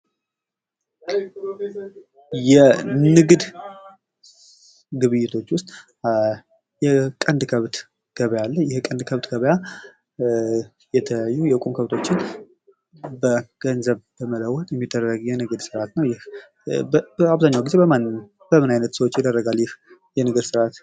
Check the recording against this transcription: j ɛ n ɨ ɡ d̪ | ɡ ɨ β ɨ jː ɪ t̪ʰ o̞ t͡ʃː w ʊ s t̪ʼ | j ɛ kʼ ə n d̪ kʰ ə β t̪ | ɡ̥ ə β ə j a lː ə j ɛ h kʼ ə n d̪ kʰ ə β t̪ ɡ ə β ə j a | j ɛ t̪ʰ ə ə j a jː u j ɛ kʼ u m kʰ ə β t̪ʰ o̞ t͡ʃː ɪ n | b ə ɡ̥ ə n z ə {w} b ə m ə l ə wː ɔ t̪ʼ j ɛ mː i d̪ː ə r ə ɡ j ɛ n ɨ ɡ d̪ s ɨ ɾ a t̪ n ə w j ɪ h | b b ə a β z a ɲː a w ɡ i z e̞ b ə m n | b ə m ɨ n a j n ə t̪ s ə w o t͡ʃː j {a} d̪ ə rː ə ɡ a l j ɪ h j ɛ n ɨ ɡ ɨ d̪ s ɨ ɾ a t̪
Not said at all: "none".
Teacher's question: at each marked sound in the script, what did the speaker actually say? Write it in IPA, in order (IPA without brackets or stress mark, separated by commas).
β, ɛ